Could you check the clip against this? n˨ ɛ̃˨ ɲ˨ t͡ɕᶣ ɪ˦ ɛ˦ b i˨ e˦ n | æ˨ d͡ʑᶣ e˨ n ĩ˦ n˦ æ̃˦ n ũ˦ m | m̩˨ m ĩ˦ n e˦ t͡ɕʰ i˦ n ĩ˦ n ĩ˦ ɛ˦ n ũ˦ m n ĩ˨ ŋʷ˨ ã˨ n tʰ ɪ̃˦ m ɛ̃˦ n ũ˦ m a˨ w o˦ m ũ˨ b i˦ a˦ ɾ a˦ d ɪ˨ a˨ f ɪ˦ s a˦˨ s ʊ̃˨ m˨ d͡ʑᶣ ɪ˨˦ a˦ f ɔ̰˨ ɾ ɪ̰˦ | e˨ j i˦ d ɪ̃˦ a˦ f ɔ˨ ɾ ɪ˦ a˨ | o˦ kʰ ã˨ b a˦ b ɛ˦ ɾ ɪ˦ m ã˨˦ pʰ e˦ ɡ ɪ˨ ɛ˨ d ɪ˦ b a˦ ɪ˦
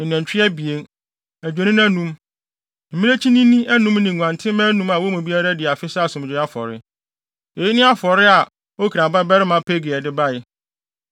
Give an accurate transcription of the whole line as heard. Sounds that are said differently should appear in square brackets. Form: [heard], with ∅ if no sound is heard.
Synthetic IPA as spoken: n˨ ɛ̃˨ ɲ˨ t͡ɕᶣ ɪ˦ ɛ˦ b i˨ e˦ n | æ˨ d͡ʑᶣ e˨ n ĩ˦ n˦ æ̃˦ n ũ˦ m | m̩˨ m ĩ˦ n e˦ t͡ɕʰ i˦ n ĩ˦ n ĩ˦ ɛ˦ n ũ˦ m n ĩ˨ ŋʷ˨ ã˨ n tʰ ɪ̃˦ m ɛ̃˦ n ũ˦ m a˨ w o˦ m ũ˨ b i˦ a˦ ɾ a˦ d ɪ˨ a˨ f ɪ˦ s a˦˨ s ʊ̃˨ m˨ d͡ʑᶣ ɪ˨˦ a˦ f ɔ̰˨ ɾ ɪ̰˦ | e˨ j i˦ [n] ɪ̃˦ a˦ f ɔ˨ ɾ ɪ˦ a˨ | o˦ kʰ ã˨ b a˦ b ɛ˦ ɾ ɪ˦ m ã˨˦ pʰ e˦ ɡ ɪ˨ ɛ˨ d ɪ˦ b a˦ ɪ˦

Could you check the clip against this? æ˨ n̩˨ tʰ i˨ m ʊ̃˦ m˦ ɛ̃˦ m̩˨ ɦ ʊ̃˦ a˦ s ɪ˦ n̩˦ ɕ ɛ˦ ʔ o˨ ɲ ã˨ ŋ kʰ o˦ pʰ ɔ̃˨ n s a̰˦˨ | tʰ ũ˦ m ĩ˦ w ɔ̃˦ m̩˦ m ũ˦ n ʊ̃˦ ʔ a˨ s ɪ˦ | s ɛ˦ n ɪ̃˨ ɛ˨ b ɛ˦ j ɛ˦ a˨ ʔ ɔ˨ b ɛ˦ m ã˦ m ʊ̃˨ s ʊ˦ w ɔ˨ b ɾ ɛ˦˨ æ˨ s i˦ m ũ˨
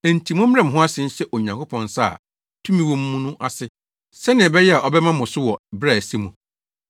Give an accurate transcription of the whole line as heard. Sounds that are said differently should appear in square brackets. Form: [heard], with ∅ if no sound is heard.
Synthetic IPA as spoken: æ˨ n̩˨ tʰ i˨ m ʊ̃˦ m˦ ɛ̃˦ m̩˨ ɦ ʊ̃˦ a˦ s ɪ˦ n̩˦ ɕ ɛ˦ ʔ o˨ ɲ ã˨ ŋ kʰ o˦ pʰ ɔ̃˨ n s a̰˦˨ | tʰ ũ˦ m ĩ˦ w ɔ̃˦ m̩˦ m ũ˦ n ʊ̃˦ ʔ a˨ s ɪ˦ | s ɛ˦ n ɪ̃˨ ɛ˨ b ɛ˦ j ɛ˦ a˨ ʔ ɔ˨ b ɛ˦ m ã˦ m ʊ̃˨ s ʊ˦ w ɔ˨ b ɾ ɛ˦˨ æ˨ s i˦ m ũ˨

